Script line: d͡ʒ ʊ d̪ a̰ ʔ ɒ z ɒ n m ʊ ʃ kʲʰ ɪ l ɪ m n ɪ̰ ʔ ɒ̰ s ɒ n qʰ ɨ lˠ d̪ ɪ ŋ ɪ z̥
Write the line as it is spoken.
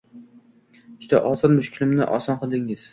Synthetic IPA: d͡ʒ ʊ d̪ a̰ ʔ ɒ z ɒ n m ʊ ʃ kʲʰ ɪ l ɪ m n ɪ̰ ʔ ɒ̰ s ɒ n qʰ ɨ lˠ d̪ ɪ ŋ ɪ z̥

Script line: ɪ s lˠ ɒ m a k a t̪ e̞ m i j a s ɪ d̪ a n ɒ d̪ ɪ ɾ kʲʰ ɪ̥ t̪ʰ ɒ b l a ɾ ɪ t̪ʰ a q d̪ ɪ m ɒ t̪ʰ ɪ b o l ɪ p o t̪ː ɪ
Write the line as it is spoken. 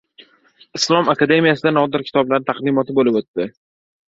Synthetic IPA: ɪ s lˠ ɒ m a k a d̪ e̞ m i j a s ɪ d̪ a n ɒ d̪ ɪ ɾ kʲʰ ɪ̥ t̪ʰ ɒ b l a ɾ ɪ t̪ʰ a q d̪ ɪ m ɒ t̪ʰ ɪ b o l ɪ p o t̪ː ɪ

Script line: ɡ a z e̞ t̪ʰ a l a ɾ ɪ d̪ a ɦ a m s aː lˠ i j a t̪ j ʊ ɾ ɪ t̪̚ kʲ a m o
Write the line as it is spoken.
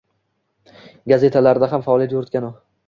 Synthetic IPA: ɡ a z e̞ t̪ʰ a l a ɾ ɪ d̪ a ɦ a m f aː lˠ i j a t̪ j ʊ ɾ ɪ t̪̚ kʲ a n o

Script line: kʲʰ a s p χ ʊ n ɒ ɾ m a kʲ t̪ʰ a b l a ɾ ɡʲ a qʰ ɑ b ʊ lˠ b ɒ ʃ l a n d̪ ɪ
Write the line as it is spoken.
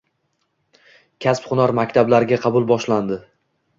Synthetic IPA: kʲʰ a s p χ ʊ n ɒ ɾ m a kʲ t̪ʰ a b l a ɾ ɡʲ a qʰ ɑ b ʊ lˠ b ɒ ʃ l a n d̪ ɪ

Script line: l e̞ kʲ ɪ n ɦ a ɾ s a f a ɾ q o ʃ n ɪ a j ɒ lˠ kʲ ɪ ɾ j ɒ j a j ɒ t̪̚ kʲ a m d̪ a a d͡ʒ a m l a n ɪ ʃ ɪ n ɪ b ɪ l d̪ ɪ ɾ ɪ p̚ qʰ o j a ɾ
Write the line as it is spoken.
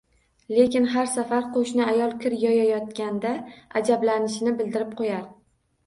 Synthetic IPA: l e̞ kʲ ɪ n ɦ a ɾ s a f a ɾ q o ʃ n ɪ a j ɒ lˠ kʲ ɪ ɾ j ɒ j a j ɒ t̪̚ kʲ a n d̪ a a d͡ʒ a b l a n ɪ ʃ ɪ n ɪ b ɪ l d̪ ɪ ɾ ɪ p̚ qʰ o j a ɾ

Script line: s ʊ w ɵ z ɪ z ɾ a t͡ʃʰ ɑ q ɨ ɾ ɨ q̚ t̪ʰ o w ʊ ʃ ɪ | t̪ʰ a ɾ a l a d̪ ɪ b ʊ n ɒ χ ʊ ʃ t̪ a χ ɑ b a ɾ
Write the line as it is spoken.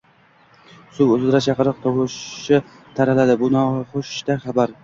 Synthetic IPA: s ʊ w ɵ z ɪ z ɾ a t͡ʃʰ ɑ q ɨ ɾ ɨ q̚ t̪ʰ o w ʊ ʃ ɪ | t̪ʰ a ɾ a l a d̪ ɪ b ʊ n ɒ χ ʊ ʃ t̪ a χ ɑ b a ɾ

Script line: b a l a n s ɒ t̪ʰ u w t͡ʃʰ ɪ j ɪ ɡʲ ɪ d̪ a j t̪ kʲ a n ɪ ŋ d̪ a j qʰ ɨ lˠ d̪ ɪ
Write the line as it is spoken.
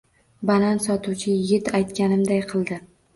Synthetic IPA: b a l a n s ɒ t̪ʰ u w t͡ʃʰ ɪ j ɪ ɡʲ ɪ t̪ a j t̪ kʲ a n ɪ m d̪ a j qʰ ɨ lˠ d̪ ɪ

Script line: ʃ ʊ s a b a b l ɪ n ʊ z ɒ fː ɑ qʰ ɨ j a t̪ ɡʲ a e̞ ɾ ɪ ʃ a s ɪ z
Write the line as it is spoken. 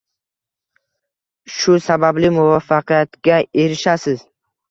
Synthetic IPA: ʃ ʊ s a b a b l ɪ m ʊ v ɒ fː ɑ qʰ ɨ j a t̪ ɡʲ a e̞ ɾ ɪ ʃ a s ɪ z

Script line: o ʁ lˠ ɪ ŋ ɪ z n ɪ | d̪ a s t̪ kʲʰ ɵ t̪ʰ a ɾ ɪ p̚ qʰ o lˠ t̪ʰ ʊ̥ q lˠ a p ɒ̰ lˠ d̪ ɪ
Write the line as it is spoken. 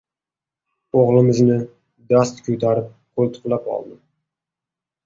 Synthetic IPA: o ʁ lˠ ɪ m ɪ z n ɪ | d̪ a s t̪ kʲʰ ɵ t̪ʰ a ɾ ɪ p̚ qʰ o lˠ t̪ʰ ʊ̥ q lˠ a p ɒ̰ lˠ d̪ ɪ

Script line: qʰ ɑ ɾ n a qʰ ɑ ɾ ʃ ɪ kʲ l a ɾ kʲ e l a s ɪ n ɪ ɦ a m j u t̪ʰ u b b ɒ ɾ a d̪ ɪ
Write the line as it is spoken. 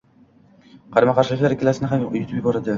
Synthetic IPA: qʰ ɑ ɾ m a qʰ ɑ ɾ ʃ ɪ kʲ l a ɾ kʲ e l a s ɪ n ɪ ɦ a m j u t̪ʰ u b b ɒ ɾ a d̪ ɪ

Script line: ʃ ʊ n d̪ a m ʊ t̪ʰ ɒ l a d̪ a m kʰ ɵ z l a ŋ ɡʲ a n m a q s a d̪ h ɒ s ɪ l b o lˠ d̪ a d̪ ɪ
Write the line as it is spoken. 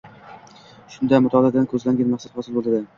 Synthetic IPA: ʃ ʊ n d̪ a m ʊ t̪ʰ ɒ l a d̪ a n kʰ ɵ z l a ŋ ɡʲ a n m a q s a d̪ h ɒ s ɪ l b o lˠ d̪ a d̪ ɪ

